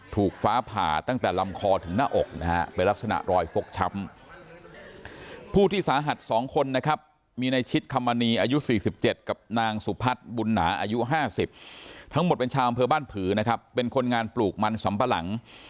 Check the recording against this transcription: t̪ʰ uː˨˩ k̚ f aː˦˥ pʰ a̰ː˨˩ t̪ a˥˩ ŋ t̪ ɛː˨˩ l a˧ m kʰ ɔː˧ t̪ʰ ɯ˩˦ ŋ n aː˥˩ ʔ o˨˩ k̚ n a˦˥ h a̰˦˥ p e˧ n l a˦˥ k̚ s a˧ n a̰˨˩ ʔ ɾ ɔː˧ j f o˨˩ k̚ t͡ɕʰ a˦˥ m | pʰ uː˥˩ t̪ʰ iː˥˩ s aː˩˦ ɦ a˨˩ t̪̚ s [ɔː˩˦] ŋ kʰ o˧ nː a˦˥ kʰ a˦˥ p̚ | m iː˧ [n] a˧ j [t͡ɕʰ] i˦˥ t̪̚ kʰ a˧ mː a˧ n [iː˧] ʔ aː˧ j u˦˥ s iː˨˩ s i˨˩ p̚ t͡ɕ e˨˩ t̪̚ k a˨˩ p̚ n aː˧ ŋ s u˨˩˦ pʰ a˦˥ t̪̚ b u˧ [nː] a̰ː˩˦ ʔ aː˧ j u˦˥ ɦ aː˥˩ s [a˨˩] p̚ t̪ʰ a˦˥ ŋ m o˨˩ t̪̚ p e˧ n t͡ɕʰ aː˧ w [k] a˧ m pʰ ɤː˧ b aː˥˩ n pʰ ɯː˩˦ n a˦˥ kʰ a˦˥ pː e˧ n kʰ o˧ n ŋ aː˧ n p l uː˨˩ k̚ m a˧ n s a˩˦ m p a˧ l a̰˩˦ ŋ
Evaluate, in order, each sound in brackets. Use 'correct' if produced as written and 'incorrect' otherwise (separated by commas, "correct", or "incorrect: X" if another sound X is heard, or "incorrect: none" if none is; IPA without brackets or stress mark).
correct, correct, correct, correct, correct, incorrect: i˨˩, incorrect: ʔ